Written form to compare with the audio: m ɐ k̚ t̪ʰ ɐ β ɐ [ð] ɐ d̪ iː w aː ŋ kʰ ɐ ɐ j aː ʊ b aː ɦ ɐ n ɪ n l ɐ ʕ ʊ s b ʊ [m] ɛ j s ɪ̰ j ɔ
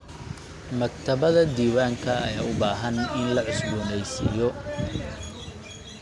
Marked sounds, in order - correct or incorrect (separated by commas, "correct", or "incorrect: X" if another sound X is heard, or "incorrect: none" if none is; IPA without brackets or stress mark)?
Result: correct, incorrect: n